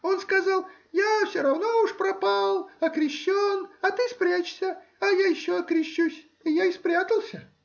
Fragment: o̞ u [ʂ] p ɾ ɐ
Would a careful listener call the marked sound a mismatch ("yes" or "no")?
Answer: no